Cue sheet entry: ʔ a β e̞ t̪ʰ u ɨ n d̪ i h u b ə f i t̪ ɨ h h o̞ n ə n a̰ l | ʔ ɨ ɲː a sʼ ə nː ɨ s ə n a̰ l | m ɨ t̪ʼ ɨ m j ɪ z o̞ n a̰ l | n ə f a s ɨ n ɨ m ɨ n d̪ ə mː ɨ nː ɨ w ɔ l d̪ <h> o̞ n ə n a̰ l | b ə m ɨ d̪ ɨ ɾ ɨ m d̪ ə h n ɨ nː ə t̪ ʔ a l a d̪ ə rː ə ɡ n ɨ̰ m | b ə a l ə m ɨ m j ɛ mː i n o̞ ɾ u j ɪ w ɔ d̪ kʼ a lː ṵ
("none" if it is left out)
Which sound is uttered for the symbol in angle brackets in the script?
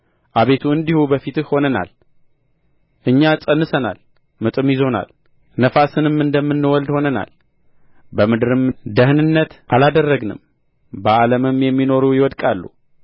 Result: h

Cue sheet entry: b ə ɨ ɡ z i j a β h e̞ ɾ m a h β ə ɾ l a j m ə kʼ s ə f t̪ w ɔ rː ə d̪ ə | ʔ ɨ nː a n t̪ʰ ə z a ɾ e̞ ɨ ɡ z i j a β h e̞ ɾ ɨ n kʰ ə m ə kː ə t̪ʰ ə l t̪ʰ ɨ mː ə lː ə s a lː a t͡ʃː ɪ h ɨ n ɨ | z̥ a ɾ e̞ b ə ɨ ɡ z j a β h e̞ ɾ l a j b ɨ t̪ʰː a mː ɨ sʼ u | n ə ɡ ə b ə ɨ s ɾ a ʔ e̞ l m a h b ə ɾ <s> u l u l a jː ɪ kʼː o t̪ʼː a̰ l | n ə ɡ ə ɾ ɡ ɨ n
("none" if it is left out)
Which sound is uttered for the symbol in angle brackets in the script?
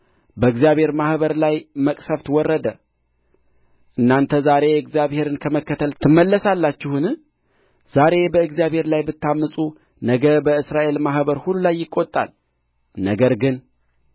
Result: h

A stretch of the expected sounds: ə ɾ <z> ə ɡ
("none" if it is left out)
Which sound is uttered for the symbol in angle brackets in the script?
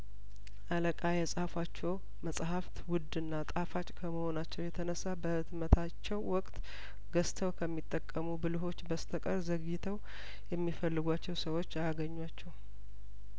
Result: z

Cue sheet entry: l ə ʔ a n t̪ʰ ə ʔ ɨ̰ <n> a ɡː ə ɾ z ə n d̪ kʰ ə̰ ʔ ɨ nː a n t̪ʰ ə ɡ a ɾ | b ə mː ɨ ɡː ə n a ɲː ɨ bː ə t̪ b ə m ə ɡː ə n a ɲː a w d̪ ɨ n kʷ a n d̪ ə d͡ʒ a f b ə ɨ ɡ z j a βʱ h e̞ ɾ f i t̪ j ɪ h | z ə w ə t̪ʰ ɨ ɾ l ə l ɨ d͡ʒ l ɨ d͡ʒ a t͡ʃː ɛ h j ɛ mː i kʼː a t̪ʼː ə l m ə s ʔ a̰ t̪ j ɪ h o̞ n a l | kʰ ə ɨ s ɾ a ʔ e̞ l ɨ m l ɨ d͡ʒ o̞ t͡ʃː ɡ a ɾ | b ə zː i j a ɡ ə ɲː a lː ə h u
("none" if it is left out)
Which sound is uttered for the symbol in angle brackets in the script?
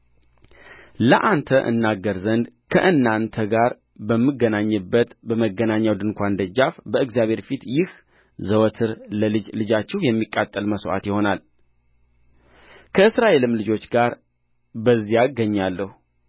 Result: nː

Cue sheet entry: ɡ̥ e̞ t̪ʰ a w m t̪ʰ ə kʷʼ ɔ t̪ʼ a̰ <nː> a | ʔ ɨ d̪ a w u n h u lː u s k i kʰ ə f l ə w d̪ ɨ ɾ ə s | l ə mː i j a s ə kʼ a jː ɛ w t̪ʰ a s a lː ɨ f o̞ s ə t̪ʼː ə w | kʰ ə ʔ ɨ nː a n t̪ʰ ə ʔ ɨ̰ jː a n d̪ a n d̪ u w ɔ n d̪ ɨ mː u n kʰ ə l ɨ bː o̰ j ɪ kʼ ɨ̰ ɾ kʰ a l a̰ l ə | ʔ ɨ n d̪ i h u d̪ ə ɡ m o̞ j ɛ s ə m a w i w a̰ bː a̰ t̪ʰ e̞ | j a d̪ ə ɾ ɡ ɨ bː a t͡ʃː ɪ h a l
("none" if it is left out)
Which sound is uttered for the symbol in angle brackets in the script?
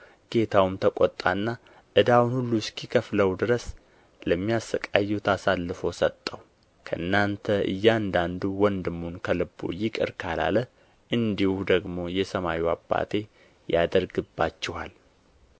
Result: nː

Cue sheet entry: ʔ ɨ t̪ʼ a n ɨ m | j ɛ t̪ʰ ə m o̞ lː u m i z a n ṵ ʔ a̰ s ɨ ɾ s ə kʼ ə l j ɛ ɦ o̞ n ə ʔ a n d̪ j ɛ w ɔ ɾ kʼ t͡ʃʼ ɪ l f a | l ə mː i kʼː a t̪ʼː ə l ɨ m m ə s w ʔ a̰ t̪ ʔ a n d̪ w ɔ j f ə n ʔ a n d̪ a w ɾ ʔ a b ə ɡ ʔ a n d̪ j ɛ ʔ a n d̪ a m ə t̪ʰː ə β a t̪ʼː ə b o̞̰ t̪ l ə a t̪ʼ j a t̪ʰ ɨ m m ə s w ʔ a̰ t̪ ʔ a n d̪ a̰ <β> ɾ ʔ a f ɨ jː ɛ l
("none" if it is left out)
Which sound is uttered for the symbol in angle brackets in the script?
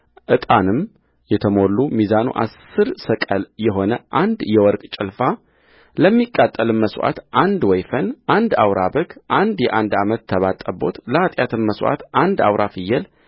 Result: w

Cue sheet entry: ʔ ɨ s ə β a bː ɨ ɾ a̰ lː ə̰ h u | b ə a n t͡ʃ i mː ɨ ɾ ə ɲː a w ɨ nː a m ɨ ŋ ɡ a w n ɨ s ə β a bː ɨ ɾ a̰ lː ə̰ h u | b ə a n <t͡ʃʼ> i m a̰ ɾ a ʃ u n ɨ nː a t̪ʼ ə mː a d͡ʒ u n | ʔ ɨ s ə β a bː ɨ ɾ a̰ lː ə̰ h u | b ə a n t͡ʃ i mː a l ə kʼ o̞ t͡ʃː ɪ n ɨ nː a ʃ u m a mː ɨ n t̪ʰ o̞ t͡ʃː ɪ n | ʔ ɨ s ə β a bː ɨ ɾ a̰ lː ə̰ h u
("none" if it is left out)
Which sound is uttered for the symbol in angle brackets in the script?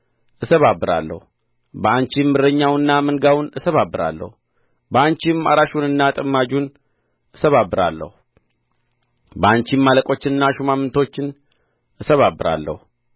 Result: t͡ʃ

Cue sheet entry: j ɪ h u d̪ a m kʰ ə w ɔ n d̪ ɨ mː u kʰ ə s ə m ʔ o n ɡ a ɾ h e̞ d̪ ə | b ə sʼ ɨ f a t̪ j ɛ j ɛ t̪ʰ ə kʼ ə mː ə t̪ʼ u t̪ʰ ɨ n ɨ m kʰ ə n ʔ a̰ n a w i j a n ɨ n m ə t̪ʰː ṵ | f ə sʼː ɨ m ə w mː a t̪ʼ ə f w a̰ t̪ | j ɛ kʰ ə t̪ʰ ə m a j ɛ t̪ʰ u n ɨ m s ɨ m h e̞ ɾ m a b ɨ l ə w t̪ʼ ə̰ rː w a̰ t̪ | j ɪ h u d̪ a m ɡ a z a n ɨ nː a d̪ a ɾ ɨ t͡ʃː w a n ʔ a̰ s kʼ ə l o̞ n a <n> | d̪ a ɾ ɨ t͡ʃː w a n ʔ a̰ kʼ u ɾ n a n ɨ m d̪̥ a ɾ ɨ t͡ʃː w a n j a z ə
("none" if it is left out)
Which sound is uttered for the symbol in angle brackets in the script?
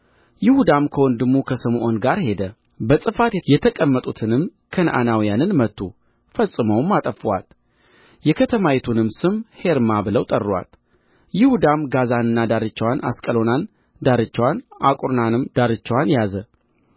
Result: n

